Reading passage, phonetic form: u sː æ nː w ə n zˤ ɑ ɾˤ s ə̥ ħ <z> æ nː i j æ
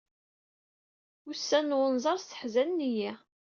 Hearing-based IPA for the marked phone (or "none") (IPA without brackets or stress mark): z